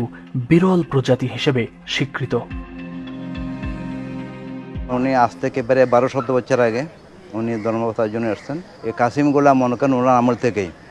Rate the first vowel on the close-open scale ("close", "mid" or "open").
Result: close